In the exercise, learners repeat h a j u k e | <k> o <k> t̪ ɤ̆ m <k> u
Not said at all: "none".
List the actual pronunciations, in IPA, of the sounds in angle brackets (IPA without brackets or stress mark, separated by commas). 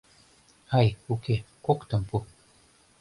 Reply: k, k, p